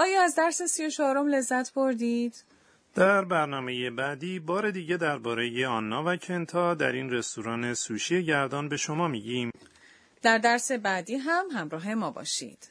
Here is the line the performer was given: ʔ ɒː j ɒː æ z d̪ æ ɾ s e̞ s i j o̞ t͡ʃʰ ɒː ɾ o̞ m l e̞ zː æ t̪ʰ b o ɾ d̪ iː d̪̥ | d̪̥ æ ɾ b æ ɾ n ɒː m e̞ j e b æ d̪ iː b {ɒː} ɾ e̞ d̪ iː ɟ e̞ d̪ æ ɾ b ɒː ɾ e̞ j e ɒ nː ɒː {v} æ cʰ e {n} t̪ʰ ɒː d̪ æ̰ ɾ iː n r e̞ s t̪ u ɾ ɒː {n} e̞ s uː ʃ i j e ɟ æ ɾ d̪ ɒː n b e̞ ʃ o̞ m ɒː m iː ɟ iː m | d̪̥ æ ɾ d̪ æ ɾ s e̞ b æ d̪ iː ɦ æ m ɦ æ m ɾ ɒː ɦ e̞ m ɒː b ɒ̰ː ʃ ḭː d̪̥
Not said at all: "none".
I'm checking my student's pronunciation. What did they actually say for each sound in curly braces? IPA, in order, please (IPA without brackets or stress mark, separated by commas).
ɒː, v, n, n